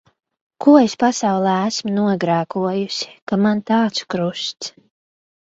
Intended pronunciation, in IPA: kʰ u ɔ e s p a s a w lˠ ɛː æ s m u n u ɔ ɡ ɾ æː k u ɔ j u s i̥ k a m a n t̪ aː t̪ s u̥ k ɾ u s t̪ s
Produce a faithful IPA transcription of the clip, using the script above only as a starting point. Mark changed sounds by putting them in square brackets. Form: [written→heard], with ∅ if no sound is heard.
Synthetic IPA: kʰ u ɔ e s p a s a w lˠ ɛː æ s m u n u ɔ ɡ ɾ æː k u ɔ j u s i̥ k a m a n t̪ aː t̪ s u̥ k ɾ u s t̪ s